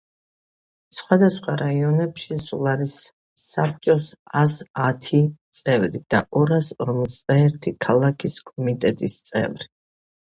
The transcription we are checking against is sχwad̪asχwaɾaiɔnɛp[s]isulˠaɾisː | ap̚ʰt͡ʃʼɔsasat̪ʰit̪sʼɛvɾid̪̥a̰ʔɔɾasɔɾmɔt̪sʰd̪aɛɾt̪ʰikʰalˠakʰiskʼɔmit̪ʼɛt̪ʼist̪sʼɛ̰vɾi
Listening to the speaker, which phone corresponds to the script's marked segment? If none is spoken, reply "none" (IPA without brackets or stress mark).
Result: ʃ